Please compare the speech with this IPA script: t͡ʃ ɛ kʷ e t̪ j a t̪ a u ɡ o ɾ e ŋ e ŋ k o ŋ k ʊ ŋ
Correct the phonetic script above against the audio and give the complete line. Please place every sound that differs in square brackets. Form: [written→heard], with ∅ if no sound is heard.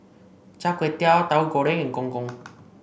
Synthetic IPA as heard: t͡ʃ [ɛ→a] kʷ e t̪ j a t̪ a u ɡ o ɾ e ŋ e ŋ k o ŋ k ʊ ŋ